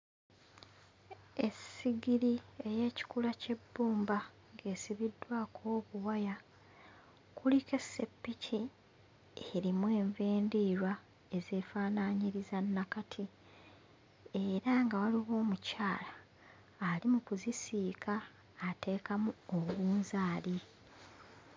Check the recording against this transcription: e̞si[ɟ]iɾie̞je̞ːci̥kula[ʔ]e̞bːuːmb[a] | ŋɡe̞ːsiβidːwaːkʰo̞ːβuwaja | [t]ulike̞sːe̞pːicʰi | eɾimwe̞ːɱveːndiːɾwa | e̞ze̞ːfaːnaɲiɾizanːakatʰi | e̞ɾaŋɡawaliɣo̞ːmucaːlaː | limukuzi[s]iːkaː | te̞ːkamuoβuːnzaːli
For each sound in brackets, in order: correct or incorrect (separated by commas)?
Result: incorrect, incorrect, correct, incorrect, correct